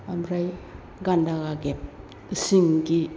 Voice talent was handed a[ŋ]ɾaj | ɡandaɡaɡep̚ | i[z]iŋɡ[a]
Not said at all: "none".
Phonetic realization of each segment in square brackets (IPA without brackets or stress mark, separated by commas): m, s, i